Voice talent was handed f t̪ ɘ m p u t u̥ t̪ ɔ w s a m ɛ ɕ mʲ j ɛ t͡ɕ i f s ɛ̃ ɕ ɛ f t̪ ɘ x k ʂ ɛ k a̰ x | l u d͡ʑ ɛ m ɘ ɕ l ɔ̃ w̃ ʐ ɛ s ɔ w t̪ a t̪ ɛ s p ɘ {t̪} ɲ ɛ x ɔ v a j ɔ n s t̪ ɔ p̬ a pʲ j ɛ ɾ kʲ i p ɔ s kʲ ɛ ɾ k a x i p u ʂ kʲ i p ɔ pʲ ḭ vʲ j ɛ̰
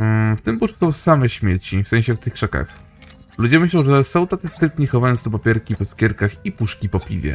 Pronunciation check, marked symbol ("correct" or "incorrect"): correct